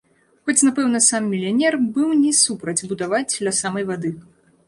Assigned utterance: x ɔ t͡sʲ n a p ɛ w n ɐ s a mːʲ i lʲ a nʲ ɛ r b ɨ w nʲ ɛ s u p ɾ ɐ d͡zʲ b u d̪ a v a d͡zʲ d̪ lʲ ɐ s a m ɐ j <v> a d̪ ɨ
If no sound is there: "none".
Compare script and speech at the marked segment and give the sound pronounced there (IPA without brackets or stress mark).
v